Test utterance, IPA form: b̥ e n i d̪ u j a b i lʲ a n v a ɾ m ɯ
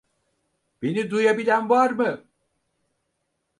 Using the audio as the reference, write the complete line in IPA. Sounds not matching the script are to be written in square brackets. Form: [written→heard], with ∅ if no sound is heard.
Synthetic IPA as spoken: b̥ e n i d̪ u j a b i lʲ [a→æ] n v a ɾ m ɯ